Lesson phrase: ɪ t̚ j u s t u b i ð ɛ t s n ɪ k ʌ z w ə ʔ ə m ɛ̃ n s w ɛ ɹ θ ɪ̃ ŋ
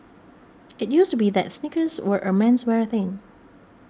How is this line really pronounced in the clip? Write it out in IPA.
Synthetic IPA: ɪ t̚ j u s t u b i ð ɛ t s n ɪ k ə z w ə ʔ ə m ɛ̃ n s w ɛ ɹ θ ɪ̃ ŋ